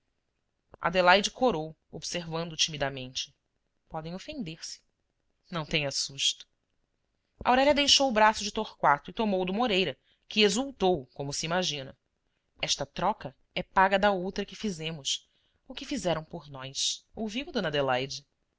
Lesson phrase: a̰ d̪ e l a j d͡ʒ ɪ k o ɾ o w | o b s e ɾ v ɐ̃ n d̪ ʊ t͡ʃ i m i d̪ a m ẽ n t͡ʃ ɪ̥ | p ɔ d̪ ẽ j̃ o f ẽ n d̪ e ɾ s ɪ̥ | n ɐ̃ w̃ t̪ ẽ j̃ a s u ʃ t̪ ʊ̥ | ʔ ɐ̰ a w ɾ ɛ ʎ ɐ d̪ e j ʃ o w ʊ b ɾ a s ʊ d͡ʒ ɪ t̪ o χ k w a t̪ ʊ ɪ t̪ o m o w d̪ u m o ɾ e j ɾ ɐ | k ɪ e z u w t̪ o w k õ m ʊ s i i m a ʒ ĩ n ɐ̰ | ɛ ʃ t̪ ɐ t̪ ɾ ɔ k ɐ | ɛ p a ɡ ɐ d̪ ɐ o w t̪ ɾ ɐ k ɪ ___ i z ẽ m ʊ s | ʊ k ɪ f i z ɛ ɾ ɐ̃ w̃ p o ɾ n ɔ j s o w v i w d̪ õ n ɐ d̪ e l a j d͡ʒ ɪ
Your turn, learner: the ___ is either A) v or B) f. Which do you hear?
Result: B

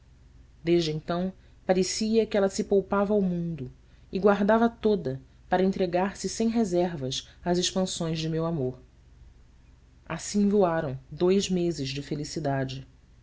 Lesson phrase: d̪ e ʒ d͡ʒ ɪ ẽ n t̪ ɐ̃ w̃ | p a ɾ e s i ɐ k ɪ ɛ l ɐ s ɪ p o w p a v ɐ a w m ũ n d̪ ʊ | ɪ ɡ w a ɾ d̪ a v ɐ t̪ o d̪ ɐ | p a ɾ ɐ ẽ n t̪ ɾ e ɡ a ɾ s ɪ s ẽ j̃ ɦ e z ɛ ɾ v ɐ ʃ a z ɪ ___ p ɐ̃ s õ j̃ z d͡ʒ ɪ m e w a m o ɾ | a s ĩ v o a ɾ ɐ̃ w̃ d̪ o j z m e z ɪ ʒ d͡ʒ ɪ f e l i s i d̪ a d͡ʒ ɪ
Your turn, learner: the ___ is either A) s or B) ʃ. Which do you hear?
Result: B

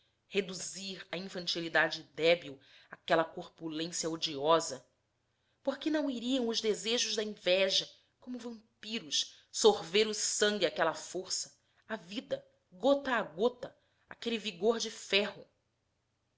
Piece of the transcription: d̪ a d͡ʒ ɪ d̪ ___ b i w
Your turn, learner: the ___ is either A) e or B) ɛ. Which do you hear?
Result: B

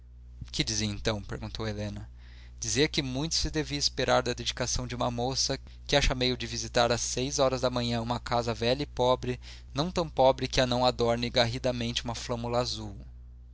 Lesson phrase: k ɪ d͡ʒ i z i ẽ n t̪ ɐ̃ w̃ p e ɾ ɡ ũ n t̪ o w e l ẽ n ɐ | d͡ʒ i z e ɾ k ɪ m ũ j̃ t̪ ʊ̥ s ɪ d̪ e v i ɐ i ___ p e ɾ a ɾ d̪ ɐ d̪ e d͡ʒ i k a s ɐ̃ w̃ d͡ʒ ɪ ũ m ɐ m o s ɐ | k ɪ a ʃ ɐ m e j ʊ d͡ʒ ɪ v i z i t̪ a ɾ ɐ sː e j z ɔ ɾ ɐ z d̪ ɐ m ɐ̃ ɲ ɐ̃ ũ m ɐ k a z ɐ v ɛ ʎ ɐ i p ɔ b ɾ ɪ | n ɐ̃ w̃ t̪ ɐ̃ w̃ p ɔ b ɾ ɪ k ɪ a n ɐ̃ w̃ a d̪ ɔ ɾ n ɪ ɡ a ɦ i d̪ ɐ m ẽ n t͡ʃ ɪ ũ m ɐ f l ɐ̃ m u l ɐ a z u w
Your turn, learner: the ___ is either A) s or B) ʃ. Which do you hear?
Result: A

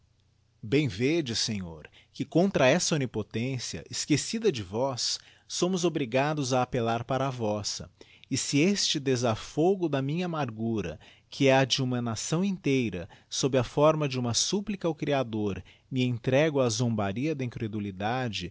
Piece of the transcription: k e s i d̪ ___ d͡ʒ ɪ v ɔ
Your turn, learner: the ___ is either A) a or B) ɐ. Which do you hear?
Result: B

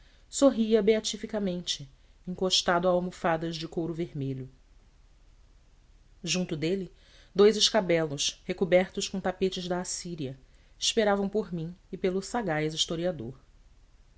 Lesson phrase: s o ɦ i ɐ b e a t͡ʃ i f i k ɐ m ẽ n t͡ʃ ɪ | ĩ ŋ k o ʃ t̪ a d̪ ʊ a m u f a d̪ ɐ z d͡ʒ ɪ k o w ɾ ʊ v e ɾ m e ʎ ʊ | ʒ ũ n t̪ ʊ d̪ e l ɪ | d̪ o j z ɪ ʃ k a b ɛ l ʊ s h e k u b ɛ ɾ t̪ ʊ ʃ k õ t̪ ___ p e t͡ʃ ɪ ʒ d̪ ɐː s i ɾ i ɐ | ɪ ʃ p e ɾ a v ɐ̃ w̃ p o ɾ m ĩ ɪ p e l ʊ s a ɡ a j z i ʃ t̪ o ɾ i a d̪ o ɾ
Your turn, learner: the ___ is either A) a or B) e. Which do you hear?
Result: A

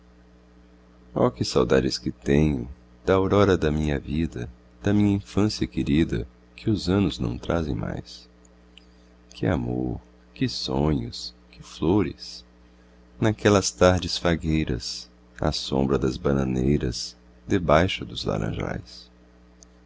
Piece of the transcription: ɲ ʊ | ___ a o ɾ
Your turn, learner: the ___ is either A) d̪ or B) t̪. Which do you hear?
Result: A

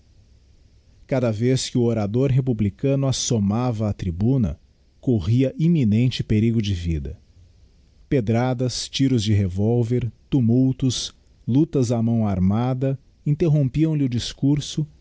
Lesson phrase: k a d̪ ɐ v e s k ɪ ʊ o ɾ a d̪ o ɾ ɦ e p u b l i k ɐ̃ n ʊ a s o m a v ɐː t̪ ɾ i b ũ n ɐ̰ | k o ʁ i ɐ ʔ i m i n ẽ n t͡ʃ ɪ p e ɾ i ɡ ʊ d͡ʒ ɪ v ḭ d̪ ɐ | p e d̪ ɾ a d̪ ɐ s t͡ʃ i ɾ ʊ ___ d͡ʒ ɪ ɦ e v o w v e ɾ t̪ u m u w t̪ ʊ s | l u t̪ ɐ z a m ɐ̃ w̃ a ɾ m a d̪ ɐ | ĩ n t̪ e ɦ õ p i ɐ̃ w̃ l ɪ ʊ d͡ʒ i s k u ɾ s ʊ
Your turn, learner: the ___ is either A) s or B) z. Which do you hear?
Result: B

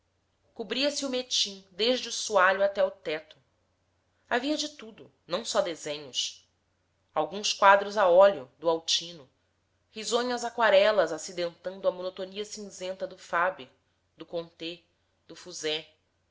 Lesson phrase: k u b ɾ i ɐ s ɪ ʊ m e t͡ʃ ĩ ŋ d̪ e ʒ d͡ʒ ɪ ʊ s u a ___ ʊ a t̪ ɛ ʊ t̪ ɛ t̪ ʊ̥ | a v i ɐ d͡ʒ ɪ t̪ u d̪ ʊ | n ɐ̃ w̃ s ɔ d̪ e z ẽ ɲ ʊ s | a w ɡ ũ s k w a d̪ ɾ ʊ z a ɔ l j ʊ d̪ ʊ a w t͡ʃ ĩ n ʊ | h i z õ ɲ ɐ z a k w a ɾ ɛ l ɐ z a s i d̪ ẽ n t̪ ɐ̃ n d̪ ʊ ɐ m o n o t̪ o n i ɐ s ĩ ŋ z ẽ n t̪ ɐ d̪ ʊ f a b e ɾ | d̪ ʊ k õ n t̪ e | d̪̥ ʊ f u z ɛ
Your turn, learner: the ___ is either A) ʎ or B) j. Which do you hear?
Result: A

